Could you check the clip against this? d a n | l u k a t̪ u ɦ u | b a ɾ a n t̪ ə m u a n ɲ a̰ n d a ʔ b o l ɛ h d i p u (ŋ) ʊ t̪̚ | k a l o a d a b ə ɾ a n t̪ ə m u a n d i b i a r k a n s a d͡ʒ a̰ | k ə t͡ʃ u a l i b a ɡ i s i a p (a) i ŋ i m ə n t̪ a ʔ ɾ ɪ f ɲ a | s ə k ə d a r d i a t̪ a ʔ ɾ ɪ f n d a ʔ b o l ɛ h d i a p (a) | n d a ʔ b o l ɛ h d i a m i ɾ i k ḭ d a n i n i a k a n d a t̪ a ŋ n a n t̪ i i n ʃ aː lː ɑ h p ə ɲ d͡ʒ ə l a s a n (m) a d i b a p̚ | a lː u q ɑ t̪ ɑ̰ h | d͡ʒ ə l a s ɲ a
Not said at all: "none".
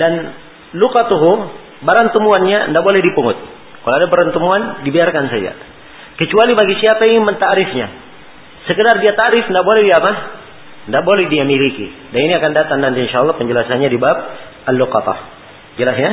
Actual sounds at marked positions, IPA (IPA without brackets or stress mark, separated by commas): ŋ, a, a, ɲ